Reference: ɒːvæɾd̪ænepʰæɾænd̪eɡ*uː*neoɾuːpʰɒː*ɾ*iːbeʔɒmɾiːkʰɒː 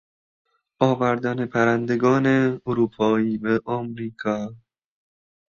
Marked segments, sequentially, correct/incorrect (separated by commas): incorrect, incorrect